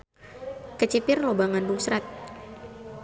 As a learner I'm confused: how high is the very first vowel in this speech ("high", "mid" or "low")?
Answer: mid